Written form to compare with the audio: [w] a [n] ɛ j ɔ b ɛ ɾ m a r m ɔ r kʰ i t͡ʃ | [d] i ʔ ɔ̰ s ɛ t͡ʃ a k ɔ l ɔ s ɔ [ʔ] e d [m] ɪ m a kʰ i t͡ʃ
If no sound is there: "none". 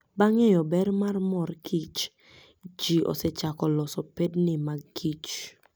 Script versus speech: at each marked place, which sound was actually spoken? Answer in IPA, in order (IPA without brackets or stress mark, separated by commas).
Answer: b, ŋ, d͡ʒ, p, n